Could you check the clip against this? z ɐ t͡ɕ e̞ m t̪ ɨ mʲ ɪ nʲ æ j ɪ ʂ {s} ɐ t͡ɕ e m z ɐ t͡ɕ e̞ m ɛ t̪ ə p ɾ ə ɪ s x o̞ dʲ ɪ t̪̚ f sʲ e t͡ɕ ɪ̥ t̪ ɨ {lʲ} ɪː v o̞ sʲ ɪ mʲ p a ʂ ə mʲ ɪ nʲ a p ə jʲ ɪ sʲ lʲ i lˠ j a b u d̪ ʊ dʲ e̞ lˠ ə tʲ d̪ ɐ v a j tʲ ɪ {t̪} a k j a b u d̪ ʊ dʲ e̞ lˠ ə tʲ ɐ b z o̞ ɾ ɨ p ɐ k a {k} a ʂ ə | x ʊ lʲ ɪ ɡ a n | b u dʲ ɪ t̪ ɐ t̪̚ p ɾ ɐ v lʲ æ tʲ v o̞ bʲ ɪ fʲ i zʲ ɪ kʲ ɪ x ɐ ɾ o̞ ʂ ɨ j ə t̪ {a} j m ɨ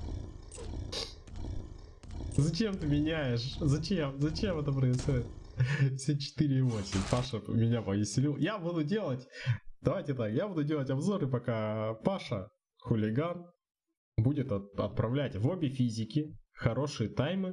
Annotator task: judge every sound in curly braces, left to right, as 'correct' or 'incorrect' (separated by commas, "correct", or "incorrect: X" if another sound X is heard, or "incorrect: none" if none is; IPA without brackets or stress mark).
incorrect: z, incorrect: ɾʲ, correct, incorrect: p, correct